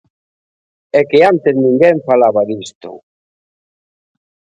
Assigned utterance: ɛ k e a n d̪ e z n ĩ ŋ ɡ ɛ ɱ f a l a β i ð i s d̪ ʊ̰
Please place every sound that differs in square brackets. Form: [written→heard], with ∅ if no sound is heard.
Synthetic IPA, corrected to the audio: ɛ k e a n [d̪→t̪] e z n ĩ ŋ ɡ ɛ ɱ f a l a β [i→a] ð i s [d̪→t̪] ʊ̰